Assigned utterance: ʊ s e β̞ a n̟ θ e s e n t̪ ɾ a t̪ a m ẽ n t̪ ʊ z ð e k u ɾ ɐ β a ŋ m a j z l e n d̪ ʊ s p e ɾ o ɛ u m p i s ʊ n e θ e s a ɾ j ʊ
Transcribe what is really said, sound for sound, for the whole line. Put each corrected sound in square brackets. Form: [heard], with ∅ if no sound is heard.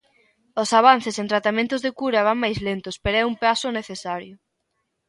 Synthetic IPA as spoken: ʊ s [a] β̞ a n̟ θ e s e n t̪ ɾ a t̪ a m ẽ n t̪ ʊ z ð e k u ɾ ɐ β a ŋ m a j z l e n [t̪] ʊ s p e ɾ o ɛ u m p [a] s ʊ n e θ e s a ɾ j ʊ